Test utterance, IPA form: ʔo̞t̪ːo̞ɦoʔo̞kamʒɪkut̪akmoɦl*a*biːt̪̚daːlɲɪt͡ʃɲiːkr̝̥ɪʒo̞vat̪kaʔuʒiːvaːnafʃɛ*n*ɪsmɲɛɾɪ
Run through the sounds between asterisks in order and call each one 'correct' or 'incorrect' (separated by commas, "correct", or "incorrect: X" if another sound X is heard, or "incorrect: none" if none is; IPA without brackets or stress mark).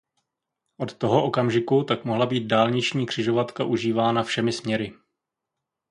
correct, incorrect: m